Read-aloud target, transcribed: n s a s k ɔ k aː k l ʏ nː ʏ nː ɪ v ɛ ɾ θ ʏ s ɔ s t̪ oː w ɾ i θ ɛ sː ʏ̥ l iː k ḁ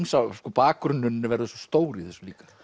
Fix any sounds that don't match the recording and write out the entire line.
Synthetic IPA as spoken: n s a s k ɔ p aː k ɾ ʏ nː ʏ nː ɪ v ɛ ɾ ð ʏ s ɔ s t̪ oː w ɾ i θ ɛ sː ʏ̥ l iː k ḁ

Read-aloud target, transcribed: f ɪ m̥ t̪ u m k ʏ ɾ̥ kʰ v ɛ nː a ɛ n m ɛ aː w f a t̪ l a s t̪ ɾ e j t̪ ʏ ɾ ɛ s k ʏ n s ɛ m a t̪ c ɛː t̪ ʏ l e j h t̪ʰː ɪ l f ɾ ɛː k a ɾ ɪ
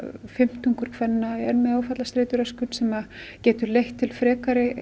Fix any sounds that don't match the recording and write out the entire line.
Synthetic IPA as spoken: f ɪ m̥ t̪ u ŋ k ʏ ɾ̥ kʰ v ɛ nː a ɛ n m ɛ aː w f a t̪ l a s t̪ ɾ e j t̪ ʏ ɾ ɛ s k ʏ n s ɛ m a c ɛː t̪ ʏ l e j h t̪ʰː ɪ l f ɾ ɛː k a ɾ ɪ

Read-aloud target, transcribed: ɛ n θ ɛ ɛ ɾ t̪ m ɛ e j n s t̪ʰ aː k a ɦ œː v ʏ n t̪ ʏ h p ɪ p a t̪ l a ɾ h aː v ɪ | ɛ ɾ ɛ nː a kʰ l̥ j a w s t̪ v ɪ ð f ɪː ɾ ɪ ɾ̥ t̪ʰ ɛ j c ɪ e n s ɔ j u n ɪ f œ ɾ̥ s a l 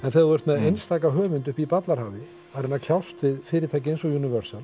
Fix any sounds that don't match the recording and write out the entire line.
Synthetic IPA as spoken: ɛ n θ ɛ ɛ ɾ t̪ m ɛ e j n s t̪ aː k a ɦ œː v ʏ n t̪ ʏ h p i p a t̪ l a ɾ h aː v ɪ | a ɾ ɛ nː a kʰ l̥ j a w s t̪ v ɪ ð f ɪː ɾ ɪ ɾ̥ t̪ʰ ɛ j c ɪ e n s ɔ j u n ɪ v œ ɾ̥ s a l

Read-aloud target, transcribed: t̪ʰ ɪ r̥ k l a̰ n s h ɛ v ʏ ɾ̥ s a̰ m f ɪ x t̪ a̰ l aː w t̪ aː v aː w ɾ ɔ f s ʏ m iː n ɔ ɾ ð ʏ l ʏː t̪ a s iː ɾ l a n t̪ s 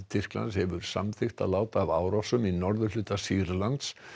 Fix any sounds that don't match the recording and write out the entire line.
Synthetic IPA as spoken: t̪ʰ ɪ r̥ k l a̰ n s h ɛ v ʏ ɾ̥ s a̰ m θ ɪ x t̪ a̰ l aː w t̪ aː v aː w ɾ ɔ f s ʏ m i n ɔ ɾ ð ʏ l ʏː t̪ a s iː ɾ l a n t̪ s

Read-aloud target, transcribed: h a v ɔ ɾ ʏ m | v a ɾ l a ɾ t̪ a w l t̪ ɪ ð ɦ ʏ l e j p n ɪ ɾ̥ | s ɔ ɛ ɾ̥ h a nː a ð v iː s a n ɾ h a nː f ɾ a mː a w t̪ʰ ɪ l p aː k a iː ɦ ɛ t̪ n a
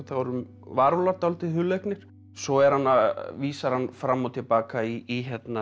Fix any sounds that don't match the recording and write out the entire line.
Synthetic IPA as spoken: θ a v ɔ ɾ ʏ m | v a ɾ l a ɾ t̪ a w l t̪ ɪ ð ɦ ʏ l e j k n ɪ ɾ̥ | s ɔ ɛ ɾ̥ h a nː a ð v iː s a ɾ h a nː f ɾ a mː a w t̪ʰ ɪ l p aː k a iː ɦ ɛ t̪ n a

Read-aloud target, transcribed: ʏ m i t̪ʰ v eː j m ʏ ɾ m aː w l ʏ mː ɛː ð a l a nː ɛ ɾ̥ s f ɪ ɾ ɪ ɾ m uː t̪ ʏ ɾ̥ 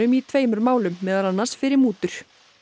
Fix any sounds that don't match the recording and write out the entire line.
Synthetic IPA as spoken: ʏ m i t̪ʰ v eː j m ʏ ɾ m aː w l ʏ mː ɛː ð a l a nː a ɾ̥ s f ɪ ɾ ɪ ɾ m uː t̪ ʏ ɾ̥

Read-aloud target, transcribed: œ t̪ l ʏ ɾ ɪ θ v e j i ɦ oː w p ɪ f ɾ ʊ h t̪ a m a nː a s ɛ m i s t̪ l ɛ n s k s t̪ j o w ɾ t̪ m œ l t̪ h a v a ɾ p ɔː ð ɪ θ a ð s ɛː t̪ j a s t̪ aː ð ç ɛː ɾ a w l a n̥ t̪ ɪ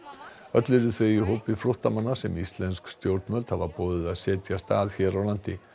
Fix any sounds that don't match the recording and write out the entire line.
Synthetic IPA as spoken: œ t̪ l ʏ ɾ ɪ θ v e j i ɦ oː w p ɪ f ɾ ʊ h t̪ a m a nː a s ɛ m i s t̪ l ɛ n s k s t̪ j o w ɾ t̪ m œ l t̪ h a v a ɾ p ɔː ð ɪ ð a ð s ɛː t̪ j a s t̪ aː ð ç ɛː ɾ a w l a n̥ t̪ ɪ

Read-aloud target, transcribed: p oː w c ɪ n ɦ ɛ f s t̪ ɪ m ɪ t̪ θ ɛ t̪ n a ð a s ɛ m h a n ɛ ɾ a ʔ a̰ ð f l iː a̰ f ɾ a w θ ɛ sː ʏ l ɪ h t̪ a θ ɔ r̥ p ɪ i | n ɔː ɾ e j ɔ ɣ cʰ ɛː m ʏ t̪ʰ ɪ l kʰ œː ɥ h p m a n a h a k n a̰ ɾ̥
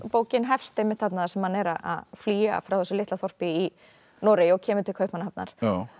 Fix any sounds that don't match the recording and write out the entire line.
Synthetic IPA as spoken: p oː w c ɪ n ɦ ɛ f s t̪ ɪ m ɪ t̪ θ a t̪ n a ð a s ɛ m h a n ɛ ɾ a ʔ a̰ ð f l iː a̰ f ɾ a w θ ɛ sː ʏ l ɪ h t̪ a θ ɔ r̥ p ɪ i | n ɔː ɾ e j ɔ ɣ cʰ ɛː m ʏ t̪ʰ ɪ l kʰ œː ɥ h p m a n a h a p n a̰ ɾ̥

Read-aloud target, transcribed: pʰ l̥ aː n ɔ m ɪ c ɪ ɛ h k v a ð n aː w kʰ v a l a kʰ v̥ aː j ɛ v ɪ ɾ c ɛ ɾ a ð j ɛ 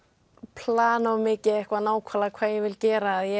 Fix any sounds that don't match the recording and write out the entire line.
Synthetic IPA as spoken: pʰ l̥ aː n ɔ m ɪ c ɪ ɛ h k v a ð n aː w kʰ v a l a kʰ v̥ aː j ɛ v ɪ l c ɛː ɾ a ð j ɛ

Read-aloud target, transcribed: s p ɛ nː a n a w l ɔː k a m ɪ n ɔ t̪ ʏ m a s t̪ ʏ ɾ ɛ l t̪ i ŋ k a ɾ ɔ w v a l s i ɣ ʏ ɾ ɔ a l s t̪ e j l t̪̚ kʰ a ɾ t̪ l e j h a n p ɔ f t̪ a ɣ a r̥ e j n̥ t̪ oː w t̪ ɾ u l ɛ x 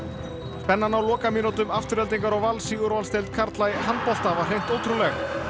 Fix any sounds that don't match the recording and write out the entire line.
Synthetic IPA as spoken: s p ɛ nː a n a w l ɔː k a m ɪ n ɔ t̪ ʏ m a f t̪ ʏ ɾ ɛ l t̪ i ŋ k a ɾ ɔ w v a l s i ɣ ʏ ɾ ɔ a l s t̪ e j l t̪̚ kʰ a ɾ t̪ l a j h a n p ɔ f t̪ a v a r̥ e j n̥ t̪ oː w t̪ ɾ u l ɛ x

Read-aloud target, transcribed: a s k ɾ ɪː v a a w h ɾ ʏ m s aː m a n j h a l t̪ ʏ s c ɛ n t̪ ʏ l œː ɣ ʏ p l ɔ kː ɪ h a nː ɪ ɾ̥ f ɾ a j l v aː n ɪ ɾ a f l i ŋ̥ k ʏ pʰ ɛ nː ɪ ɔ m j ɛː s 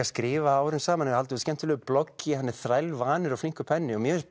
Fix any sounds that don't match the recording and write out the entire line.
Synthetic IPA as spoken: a s k ɾ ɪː v a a w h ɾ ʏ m s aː m a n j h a l t̪ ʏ s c ɛ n t̪ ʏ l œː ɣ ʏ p l ɔ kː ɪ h a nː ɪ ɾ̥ θ ɾ a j l v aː n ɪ ɾ a f l i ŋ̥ k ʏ pʰ ɛ nː ɪ ɔ m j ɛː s

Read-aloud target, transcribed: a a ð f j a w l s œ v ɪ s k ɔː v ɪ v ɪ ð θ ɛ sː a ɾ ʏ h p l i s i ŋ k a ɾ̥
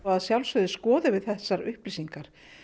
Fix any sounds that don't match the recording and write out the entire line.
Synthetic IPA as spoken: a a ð s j a w l s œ ð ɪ s k ɔː ð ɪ v ɪ ð θ ɛ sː a ɾ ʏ h p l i s i ŋ k a ɾ̥

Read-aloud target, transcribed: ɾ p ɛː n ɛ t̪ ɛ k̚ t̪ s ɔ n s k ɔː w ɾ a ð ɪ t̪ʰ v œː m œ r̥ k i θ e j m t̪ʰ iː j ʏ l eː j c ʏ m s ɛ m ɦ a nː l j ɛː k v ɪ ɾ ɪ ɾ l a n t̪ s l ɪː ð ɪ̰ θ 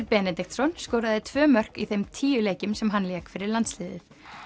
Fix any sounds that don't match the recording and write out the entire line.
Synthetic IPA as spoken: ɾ p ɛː n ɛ t̪ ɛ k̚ t̪ s ɔ n s k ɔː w ɾ a ð ɪ t̪ʰ v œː m œ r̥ k i θ e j m t̪ʰ iː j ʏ l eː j c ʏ m s ɛ m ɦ a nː l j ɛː k f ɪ ɾ ɪ ɾ l a n t̪ s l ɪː ð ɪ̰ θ

